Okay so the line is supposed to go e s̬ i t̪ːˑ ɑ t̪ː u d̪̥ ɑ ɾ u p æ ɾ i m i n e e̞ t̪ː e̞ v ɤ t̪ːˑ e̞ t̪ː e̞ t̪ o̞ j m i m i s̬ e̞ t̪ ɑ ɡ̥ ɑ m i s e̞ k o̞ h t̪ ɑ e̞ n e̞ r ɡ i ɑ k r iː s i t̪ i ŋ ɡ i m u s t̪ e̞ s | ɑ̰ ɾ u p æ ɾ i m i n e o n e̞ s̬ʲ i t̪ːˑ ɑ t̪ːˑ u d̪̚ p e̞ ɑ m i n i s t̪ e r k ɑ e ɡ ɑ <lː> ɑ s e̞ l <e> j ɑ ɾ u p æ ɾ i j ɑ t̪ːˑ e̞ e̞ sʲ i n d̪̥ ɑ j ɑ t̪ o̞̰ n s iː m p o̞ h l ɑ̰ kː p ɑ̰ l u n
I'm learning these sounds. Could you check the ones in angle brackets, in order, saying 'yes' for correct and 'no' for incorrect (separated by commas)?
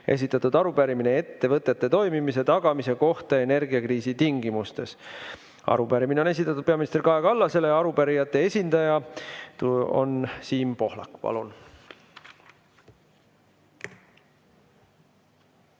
yes, yes